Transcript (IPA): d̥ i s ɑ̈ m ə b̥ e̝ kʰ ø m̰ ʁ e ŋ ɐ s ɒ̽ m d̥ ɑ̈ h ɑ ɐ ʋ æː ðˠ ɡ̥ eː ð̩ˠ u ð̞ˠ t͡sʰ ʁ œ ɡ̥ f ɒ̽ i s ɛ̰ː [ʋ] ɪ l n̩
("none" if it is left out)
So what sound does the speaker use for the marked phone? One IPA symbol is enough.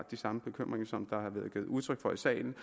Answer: none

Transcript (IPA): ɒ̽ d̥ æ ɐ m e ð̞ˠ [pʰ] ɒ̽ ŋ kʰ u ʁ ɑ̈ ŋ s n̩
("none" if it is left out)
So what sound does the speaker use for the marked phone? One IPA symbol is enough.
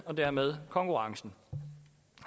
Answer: kʰ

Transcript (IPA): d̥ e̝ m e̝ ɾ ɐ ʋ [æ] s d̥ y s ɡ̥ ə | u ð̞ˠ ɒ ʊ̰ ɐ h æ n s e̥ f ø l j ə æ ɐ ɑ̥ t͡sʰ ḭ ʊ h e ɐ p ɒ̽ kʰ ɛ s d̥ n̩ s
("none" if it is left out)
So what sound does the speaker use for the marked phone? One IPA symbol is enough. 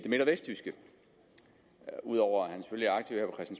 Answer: e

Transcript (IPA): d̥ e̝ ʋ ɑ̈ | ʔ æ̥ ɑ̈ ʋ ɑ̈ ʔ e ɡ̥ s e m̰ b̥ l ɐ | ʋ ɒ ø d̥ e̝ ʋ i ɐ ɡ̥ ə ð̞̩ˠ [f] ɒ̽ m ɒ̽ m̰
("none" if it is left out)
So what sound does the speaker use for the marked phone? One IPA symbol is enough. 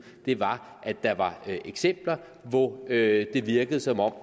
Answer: s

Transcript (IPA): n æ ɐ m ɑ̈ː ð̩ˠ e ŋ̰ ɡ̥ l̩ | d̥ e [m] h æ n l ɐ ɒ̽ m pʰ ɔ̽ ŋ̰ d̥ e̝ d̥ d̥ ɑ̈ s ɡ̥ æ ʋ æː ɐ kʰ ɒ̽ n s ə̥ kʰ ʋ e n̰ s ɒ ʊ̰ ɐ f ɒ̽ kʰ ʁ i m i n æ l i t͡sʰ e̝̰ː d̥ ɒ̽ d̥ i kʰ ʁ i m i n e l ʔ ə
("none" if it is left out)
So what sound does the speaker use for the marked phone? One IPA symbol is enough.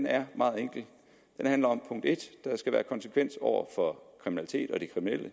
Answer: n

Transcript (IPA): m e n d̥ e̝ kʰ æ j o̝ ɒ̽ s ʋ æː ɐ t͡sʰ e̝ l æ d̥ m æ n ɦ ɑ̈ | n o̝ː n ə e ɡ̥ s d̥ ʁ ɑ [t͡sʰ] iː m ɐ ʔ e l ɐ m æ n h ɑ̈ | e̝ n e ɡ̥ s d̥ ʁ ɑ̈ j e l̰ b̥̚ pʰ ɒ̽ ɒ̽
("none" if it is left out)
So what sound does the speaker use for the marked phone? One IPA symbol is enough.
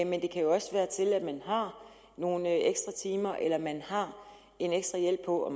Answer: t͡sʰ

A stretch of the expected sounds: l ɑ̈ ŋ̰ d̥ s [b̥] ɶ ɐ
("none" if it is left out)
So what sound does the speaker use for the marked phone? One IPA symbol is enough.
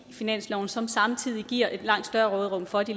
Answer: d̥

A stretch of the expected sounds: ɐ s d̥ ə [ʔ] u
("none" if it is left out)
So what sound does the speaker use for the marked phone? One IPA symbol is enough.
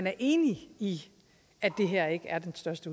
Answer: none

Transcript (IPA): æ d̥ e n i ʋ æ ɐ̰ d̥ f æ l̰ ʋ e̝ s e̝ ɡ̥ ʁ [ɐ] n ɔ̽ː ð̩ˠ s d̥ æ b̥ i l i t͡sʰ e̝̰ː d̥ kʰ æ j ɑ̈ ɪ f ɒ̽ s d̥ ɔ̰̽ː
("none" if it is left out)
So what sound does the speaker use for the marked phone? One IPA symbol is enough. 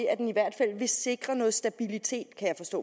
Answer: ɐ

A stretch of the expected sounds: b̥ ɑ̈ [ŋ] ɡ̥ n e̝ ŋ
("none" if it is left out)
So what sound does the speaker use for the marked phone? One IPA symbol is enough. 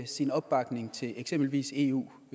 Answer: none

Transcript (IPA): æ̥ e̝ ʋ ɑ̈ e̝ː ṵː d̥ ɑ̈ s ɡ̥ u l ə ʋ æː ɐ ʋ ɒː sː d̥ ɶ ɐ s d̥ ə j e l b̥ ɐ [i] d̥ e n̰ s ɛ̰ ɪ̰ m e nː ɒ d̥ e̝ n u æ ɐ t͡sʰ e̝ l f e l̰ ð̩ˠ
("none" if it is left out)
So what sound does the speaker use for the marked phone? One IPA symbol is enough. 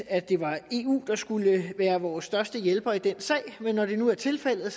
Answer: i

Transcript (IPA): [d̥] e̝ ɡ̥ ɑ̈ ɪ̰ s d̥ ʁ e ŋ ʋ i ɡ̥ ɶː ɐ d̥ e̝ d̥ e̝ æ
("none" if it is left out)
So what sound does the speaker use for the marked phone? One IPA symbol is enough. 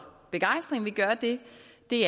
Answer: b̥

